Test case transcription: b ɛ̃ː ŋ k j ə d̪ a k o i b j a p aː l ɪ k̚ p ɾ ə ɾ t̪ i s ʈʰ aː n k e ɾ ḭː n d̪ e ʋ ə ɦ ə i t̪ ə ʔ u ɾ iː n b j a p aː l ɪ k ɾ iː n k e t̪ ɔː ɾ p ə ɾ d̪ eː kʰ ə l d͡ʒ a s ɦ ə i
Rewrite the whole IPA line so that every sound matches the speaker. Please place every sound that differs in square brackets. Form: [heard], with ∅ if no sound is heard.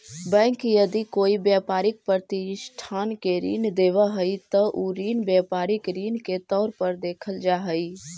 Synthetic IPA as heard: b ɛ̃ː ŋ k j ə d̪ [i] k o i b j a p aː [ɾ] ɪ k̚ p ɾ ə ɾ t̪ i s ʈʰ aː n k e ɾ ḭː n d̪ e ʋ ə ɦ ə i t̪ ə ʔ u ɾ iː n b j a p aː [ɾ] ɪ k ɾ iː n k e t̪ ɔː ɾ p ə ɾ d̪ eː kʰ ə l d͡ʒ a [∅] ɦ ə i